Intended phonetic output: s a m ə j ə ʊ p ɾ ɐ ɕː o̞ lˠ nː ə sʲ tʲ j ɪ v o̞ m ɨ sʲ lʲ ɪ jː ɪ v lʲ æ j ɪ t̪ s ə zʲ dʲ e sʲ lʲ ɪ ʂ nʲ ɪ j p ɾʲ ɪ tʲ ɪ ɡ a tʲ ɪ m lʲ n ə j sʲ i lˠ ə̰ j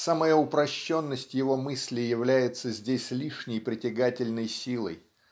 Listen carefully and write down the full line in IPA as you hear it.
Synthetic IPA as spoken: s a m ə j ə ʊ p ɾ ɐ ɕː o̞ nː ə sʲ tʲ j ɪ v o̞ m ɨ sʲ lʲ ɪ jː ɪ v lʲ æ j ɪ t̪ s ə zʲ dʲ e sʲ lʲ i ʂ nʲ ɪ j p ɾʲ ɪ tʲ ɪ ɡ a tʲ ɪ lʲ n ə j sʲ i lˠ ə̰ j